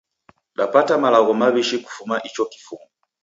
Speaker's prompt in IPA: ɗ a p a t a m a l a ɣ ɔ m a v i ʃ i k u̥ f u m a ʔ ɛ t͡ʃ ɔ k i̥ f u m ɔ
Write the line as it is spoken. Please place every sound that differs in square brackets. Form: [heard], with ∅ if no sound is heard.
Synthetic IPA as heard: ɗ a p a t a m a l a ɣ ɔ m a [β] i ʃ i k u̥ f u m a ʔ [i] t͡ʃ ɔ k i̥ f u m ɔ